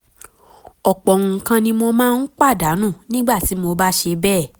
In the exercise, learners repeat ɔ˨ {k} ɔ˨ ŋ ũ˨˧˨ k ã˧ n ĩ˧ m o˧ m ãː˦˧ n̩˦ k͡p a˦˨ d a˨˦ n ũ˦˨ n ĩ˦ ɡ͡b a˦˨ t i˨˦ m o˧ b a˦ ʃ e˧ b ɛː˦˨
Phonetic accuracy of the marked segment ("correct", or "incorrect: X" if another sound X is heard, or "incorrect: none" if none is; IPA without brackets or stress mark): incorrect: k͡p